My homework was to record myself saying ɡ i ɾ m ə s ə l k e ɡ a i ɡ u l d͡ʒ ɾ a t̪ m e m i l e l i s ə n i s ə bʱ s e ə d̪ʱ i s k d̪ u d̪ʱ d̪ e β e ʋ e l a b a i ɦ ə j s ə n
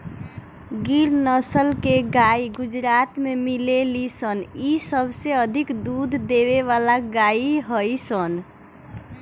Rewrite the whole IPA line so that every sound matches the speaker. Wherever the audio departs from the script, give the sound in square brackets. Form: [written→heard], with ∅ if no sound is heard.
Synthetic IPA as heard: ɡ i ɾ [m→n] ə s ə l k e ɡ a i ɡ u [l→∅] d͡ʒ ɾ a t̪ m e m i l e l i s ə n i s ə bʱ s e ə d̪ʱ i [s→∅] k d̪ u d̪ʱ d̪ e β e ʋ [e→a] l a [b→ɡ] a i ɦ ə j s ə n